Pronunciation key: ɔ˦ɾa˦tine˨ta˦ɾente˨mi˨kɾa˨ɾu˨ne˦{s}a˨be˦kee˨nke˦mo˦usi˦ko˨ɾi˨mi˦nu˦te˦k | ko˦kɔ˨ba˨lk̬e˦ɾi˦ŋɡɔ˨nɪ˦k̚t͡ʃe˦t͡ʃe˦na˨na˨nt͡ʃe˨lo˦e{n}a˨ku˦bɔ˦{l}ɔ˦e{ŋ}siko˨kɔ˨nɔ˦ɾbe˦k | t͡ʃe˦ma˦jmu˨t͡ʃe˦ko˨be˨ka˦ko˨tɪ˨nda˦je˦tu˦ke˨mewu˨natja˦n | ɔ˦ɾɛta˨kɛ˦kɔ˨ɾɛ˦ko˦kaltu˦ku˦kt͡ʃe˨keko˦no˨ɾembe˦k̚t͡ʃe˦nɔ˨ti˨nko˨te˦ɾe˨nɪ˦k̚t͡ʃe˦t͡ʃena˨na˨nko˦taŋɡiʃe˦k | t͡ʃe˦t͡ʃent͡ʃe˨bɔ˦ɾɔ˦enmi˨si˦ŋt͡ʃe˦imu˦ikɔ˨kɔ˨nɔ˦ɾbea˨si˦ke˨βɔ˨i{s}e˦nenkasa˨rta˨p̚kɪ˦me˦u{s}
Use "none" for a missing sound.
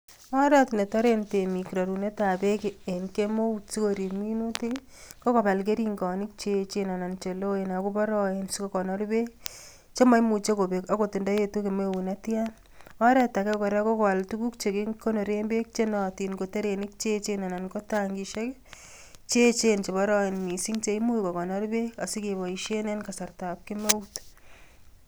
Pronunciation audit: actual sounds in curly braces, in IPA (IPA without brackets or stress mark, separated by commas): t, n, ɾ, n, ʃ, t